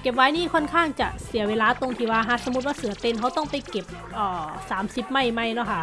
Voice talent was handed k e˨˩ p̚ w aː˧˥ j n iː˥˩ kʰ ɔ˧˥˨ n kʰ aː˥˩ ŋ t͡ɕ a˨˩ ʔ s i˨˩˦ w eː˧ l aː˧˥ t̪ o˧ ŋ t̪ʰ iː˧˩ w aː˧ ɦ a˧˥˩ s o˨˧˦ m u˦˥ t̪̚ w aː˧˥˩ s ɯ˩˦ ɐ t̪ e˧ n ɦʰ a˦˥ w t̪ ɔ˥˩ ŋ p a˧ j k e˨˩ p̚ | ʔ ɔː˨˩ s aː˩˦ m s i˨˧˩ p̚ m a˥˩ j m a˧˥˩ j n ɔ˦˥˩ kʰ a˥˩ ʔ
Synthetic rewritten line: k e˨˩ p̚ w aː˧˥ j n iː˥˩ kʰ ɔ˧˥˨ n kʰ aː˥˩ ŋ t͡ɕ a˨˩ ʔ s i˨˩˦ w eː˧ l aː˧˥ t̪ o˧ ŋ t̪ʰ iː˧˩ w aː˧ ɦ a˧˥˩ s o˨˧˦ m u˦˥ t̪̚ w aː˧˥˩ s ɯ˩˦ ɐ t̪ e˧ n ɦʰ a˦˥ w t̪ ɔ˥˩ ŋ p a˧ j k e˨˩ p̚ | ʔ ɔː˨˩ s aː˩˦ m s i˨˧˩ p̚ m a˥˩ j m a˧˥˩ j n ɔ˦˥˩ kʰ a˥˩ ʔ

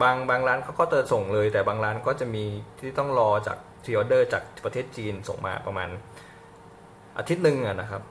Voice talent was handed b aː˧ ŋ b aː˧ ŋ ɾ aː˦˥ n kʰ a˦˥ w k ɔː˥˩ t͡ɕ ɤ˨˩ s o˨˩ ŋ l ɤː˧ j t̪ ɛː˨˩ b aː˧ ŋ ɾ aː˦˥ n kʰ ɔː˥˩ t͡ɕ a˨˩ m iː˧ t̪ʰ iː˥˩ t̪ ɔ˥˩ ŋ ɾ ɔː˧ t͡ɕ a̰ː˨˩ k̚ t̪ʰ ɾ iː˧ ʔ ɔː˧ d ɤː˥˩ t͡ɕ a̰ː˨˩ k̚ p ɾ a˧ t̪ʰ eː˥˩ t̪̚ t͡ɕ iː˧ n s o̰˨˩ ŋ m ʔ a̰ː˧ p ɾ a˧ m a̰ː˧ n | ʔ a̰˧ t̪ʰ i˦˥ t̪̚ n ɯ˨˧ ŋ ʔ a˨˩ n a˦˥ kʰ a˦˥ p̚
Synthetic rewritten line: b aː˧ ŋ b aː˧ ŋ ɾ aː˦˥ n kʰ a˦˥ w k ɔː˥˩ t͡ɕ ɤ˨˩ s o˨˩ ŋ l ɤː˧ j t̪ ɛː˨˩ b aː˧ ŋ ɾ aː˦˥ n k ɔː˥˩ t͡ɕ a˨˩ m iː˧ t̪ʰ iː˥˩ t̪ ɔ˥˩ ŋ ɾ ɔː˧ t͡ɕ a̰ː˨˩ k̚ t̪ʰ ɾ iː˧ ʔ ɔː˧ d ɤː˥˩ t͡ɕ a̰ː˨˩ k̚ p ɾ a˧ t̪ʰ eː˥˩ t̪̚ t͡ɕ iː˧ n s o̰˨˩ ŋ m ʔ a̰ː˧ p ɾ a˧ m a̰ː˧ n | ʔ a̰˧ t̪ʰ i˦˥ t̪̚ n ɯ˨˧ ŋ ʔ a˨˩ n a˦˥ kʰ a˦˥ p̚

